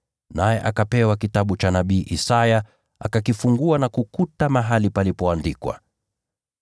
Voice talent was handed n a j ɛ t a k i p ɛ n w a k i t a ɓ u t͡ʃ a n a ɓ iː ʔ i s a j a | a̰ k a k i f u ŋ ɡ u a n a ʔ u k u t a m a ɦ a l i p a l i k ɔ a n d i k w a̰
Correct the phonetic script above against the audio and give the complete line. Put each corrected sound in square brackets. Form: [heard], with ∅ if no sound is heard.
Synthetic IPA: n a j ɛ [ʔ] a k [a] p ɛ [∅] w a k i t a ɓ u t͡ʃ a n a ɓ iː ʔ i s a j a | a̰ k a k i f u ŋ ɡ u a n a [k] u k u t a m a ɦ a l i p a l i [p] ɔ a n d i k w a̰